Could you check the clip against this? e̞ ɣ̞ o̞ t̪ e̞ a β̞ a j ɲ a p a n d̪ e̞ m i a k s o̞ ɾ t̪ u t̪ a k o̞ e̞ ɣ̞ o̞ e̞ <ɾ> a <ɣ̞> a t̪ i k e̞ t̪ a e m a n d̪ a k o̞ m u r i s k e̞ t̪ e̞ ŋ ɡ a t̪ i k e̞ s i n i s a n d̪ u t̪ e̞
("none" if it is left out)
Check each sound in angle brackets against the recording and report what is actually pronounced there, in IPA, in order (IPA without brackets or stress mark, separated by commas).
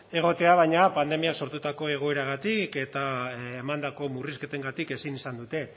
ɾ, ɣ̞